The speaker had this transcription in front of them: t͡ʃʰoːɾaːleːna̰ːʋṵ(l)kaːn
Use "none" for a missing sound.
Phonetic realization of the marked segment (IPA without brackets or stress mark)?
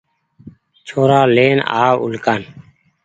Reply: l